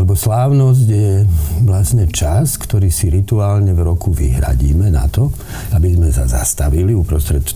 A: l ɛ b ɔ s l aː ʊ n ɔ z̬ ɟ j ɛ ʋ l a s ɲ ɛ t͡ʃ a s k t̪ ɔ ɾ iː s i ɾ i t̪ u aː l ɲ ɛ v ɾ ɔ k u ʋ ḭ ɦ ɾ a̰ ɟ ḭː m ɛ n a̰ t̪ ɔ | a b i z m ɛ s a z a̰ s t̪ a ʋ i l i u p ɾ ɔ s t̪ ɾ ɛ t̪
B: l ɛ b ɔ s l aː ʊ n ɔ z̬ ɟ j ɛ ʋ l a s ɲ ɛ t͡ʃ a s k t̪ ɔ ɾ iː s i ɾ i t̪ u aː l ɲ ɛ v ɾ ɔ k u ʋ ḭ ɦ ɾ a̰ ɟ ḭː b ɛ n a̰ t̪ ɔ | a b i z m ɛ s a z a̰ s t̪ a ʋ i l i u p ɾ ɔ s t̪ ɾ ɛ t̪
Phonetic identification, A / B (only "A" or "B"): A